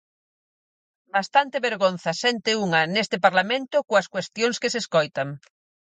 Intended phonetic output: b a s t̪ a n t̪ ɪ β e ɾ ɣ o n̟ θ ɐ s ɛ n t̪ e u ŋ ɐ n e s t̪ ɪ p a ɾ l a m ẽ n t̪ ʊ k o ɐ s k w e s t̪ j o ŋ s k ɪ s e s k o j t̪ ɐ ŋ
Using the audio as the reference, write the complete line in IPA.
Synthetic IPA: b a s t̪ a n t̪ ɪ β e ɾ ɣ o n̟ θ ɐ s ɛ n t̪ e u ŋ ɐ n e s t̪ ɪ p a ɾ l a m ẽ n t̪ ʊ k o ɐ s k w e s t̪ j o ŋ s k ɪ s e s k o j t̪ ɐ ŋ